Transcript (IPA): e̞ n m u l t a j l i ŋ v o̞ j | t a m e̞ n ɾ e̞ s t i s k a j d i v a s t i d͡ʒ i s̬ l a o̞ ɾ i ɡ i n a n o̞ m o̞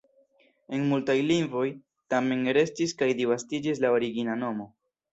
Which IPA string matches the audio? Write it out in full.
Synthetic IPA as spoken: e̞ n m u l t a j l i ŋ v o̞ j | t a m e̞ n ɾ e̞ s t i s k a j d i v a s t i d͡ʒ i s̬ l a o̞ ɾ i ɡ i n a n o̞ m o̞